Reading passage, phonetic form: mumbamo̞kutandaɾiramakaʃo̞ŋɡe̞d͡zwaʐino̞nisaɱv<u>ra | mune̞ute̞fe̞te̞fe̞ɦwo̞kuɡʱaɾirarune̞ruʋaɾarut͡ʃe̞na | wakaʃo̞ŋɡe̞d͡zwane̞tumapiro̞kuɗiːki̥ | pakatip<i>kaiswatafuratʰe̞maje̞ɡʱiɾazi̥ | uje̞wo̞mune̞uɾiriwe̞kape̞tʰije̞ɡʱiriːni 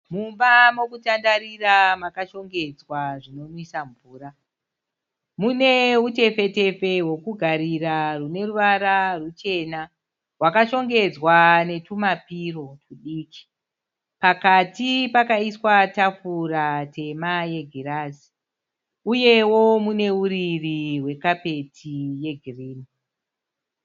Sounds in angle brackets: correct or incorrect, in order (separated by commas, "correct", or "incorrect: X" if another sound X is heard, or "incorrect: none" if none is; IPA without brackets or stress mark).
incorrect: uː, incorrect: a